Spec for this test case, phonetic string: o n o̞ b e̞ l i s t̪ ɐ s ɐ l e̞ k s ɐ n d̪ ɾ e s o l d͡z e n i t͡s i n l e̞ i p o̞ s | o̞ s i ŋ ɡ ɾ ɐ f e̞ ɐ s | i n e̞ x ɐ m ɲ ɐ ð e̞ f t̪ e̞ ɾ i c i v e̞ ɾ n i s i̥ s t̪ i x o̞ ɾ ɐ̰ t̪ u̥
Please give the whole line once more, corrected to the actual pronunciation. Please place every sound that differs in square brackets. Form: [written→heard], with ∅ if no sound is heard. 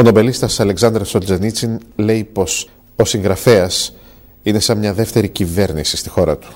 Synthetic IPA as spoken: o n o̞ b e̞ l i s t̪ ɐ s ɐ l e̞ k s ɐ n d̪ ɾ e s o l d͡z e n i t͡s i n l e̞ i p o̞ s | o̞ s i ŋ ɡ ɾ ɐ f e̞ ɐ s | i n e̞ [x→s] ɐ m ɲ ɐ ð e̞ f t̪ e̞ ɾ i c i v e̞ ɾ n i s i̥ s t̪ i x o̞ ɾ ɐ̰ t̪ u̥